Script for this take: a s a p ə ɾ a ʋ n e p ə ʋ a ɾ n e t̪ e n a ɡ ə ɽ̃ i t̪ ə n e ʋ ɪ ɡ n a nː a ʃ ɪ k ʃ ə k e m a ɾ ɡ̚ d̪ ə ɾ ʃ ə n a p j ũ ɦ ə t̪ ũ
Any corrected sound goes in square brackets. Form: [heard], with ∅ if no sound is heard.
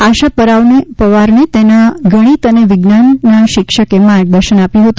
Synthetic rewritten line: a [ʃ] a p ə ɾ a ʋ n e p ə ʋ a ɾ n e t̪ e n a ɡ ə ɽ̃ i t̪ ə n e ʋ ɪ ɡ n a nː a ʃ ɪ k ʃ ə k e m a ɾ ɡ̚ d̪ ə ɾ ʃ ə n a p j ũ ɦ ə t̪ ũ